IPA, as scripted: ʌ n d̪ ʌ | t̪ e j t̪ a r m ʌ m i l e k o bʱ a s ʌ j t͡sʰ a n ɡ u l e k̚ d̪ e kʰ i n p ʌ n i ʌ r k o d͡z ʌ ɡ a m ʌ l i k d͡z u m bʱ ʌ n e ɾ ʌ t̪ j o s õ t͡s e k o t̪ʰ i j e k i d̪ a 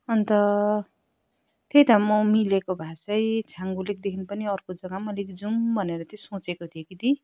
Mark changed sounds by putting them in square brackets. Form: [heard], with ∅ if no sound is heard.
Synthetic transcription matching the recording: ʌ n [t̪] ʌ | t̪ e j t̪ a [∅] m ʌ m i l e k o bʱ a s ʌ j t͡sʰ a [ŋ] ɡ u l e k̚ d̪ e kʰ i n p ʌ n i ʌ r k o d͡z ʌ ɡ a m ʌ l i k d͡z u m bʱ ʌ n e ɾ ʌ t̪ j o s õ t͡s e k o t̪ʰ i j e k i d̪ [i]